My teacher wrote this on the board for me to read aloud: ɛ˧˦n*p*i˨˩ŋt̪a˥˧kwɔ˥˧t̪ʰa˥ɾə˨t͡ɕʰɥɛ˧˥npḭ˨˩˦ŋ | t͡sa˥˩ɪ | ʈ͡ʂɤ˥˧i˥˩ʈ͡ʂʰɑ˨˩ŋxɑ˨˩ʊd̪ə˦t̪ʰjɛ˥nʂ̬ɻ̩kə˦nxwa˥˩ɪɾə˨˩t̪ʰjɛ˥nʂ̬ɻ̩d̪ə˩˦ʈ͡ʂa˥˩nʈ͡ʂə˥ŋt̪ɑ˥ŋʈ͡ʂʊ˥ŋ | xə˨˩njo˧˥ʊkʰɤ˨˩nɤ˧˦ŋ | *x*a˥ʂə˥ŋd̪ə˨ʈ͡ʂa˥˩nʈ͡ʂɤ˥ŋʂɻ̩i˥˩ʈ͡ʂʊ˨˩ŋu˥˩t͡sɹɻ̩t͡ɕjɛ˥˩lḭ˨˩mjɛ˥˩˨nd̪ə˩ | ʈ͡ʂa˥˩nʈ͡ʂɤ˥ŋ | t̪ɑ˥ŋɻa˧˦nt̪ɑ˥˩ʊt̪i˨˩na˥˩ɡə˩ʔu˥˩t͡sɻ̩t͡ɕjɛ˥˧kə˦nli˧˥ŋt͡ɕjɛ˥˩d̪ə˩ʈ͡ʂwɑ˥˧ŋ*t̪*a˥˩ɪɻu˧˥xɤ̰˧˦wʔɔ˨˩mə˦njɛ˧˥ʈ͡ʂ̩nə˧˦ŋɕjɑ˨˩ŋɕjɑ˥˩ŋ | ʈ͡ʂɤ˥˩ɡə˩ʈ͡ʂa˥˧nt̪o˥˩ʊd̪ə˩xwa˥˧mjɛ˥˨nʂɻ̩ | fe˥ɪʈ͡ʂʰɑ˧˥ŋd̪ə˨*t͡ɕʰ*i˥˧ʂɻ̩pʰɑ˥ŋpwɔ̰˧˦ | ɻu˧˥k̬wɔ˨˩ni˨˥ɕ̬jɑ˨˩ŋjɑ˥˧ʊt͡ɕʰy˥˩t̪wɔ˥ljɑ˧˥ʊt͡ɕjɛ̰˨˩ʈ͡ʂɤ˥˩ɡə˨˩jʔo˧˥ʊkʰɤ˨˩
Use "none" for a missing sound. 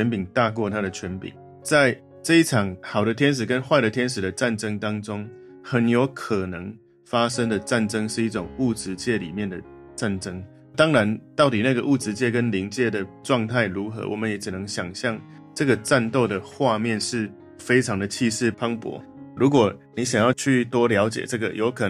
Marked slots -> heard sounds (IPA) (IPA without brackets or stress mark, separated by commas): p, f, t̪ʰ, t͡ɕʰ